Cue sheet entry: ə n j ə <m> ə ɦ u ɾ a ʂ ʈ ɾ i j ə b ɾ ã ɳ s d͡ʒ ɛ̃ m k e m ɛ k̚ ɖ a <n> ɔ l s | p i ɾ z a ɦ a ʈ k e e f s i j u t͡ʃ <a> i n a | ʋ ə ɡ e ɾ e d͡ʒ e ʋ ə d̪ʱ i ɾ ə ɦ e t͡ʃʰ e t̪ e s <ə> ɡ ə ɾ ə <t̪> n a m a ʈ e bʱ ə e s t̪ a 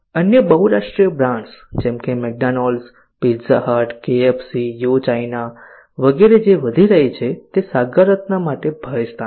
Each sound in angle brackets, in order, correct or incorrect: incorrect: b, correct, correct, incorrect: a, correct

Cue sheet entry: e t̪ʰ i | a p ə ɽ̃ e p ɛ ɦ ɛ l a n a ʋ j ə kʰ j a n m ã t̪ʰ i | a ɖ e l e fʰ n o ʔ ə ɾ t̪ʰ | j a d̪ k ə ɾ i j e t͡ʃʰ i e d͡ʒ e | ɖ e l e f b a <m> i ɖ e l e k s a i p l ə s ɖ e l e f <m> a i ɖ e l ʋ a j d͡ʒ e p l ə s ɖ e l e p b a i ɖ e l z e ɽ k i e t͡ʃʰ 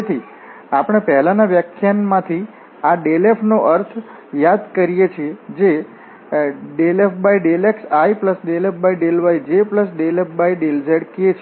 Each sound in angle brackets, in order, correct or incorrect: incorrect: none, incorrect: b

